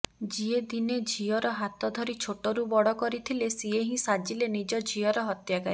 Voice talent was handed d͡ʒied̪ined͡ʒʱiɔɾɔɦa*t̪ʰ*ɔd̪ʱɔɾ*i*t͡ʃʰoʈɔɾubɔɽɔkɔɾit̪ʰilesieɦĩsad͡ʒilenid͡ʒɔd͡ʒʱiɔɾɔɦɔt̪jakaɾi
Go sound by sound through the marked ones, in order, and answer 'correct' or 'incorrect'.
incorrect, correct

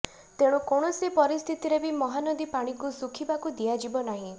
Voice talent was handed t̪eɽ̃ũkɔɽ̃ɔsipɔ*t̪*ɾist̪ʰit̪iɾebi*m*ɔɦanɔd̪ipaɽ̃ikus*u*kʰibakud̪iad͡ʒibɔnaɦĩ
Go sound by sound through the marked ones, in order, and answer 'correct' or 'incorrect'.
incorrect, correct, correct

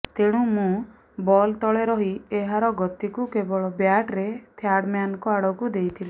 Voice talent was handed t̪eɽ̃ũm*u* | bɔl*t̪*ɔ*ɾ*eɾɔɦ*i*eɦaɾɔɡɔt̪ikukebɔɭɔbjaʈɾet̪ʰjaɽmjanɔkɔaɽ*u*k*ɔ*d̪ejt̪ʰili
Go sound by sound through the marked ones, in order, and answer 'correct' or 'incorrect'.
incorrect, correct, incorrect, correct, incorrect, incorrect

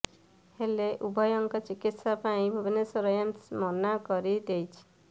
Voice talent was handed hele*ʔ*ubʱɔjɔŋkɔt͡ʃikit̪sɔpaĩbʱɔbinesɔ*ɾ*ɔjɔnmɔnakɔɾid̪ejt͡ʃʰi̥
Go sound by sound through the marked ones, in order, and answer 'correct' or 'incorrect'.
correct, correct

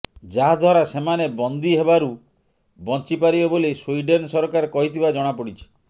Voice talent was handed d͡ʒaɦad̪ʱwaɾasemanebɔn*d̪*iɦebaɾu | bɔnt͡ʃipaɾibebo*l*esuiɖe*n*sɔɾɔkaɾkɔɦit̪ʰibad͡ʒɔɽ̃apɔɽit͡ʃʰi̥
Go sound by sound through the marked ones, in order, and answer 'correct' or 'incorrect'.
correct, correct, correct

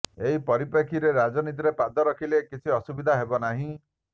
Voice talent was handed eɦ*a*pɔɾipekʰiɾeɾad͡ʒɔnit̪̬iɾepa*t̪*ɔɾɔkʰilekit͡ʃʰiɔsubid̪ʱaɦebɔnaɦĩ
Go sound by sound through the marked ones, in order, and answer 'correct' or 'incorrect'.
incorrect, incorrect

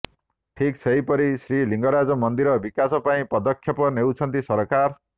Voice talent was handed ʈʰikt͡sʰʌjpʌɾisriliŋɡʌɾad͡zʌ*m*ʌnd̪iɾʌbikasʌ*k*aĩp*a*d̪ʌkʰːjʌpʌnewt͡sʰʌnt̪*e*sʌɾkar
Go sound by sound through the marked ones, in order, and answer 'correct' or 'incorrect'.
correct, incorrect, incorrect, incorrect

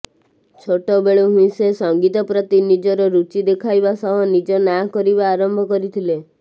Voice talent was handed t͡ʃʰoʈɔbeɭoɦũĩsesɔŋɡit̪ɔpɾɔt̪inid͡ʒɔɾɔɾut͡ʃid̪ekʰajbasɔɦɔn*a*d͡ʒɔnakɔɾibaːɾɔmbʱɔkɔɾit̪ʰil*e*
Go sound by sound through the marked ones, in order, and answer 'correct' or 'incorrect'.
incorrect, correct

